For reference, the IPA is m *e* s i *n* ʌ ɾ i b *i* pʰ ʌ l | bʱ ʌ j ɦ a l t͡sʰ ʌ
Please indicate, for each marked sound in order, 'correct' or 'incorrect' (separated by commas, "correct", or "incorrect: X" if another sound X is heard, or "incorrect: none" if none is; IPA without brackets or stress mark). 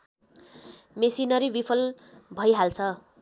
correct, correct, correct